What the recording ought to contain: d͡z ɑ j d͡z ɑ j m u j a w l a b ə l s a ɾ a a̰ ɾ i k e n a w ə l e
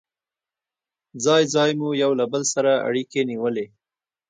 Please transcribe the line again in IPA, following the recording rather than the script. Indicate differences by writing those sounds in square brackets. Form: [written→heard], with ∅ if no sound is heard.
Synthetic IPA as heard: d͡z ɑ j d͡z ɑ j m u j a w l a b ə l s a ɾ a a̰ [ɾ→ɽ] i k e n [a→i] w ə l e